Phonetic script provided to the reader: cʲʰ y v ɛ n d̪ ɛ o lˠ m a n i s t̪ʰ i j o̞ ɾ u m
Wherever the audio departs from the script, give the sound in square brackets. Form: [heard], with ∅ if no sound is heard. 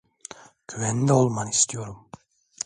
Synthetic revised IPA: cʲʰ y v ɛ n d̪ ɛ o lˠ m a n i s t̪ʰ i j o̞ ɾ u m